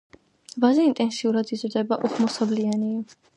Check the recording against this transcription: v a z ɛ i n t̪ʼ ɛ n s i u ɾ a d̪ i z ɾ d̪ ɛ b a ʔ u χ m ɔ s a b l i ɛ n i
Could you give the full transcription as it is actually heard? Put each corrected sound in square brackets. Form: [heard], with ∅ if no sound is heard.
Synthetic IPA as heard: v a z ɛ i n t̪ʼ ɛ n s i u ɾ a d̪ i z ɾ d̪ ɛ b a ʔ u χ m ɔ s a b l i [a] n i